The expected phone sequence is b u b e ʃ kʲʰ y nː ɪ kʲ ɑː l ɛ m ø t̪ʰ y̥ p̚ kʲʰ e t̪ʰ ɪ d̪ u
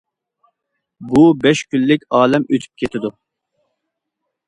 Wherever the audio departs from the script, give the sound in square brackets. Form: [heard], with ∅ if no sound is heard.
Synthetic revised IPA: b u b [ɛ] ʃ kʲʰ y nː ɪ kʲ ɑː l ɛ m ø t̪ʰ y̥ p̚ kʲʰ e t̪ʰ ɪ d̪ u